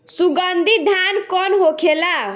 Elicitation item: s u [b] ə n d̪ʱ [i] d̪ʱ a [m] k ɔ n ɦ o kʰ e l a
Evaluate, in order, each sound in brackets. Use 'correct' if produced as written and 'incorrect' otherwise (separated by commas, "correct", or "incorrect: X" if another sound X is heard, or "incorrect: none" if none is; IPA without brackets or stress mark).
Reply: incorrect: ɡ, correct, incorrect: n